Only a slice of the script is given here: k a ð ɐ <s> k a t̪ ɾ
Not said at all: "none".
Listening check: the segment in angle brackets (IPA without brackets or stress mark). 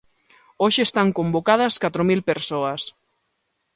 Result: s